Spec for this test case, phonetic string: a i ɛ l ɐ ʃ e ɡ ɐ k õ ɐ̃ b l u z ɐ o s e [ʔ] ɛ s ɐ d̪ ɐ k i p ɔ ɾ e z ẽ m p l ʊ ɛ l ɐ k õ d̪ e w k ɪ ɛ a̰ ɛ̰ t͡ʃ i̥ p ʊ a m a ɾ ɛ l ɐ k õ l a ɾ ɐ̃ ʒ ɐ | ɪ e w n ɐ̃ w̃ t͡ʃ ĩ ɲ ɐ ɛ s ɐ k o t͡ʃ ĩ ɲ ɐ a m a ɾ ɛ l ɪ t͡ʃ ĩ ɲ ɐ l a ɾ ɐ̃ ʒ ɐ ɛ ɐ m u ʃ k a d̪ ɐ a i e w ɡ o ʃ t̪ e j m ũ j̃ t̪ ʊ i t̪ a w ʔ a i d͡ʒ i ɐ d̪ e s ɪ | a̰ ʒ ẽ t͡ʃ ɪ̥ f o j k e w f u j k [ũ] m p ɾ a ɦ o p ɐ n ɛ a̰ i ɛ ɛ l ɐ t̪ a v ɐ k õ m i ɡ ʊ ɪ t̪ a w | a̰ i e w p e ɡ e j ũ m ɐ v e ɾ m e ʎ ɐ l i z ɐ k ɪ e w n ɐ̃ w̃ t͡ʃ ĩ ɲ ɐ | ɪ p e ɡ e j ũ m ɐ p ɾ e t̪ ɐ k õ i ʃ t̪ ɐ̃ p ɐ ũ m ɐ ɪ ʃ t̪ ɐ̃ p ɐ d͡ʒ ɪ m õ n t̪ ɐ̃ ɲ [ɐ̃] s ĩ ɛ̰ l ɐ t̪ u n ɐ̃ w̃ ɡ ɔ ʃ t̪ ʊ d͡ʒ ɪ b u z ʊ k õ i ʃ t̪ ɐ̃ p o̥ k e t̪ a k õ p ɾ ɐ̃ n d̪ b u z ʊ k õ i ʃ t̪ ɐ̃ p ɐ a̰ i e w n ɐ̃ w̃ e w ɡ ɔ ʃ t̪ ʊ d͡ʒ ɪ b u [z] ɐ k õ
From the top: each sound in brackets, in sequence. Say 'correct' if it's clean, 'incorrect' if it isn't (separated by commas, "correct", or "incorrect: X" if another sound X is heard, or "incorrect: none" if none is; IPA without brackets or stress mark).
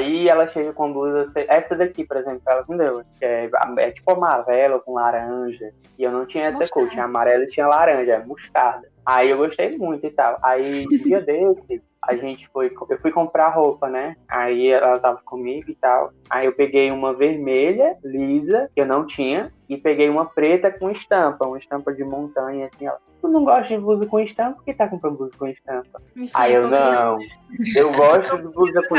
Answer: correct, incorrect: õ, incorrect: ɐ, correct